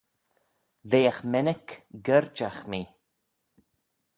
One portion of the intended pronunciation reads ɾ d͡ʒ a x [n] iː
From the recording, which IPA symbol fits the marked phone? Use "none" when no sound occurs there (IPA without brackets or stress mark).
m